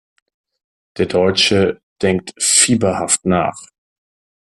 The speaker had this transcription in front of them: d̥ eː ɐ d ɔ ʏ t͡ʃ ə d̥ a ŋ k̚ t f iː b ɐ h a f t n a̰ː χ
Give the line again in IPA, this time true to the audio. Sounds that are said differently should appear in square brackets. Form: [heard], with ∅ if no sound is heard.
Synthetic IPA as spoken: d̥ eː ɐ d ɔ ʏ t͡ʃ ə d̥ [ɛ] ŋ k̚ t f iː b ɐ h a f t n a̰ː χ